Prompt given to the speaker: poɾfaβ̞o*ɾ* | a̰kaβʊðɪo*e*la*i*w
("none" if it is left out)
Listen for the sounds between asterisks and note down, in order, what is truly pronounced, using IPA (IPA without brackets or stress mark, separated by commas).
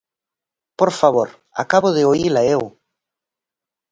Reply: ɾ, i, e